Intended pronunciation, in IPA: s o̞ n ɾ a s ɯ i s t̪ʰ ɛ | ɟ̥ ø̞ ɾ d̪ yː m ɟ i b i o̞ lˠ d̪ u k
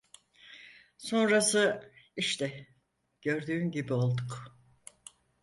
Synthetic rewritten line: s o̞ n ɾ a s ɯ i ʃ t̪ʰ ɛ | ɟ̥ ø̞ ɾ d̪ yː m ɟ i b i o̞ lˠ d̪ u k

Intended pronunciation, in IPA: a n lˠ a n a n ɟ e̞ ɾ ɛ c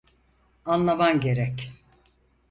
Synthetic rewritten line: a n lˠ a m a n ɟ e̞ ɾ ɛ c

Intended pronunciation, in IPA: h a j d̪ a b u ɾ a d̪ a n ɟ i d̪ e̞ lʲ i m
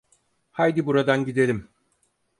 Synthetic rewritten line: h a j d̪ i b u ɾ a d̪ a n ɟ i d̪ e̞ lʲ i m

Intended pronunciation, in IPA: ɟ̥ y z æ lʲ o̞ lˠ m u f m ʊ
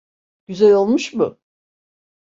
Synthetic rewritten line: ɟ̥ y z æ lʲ o̞ lˠ m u ʃ m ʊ

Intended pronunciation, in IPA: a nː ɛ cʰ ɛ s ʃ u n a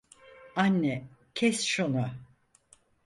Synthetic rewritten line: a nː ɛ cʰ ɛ s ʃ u n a

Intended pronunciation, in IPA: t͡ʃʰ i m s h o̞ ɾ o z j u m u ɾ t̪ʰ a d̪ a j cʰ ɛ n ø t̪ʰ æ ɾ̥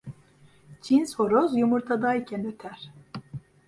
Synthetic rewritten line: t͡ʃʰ i n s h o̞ ɾ o z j u m u ɾ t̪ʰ a d̪ a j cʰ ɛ n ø t̪ʰ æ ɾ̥

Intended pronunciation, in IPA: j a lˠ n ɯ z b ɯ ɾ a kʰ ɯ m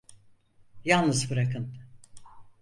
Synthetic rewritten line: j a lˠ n ɯ z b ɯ ɾ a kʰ ɯ n

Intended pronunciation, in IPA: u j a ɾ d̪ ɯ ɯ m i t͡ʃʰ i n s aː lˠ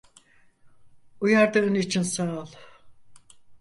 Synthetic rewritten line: u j a ɾ d̪ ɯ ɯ n i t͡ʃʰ i n s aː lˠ

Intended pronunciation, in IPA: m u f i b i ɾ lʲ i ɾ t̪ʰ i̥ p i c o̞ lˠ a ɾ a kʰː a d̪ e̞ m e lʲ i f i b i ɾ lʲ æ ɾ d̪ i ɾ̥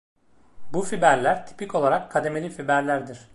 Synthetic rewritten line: b u f i b æ ɾ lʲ æ ɾ t̪ʰ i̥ p i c o̞ lˠ a ɾ a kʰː a d̪ e̞ m e lʲ i f i b æ ɾ lʲ æ ɾ d̪ i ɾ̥

